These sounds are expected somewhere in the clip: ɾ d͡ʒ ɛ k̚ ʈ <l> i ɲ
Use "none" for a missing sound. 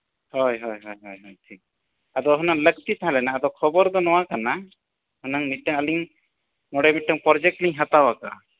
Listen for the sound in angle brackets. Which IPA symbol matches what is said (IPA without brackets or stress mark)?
l